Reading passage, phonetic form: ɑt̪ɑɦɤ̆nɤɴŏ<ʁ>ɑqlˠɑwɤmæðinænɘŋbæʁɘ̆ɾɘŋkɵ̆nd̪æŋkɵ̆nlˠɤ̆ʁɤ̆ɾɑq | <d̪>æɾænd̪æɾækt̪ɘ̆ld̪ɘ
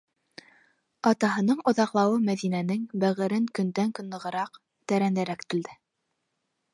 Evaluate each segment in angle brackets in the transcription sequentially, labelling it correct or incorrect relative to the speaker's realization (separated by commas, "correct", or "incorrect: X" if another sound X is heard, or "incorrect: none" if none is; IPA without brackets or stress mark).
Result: incorrect: ð, incorrect: t̪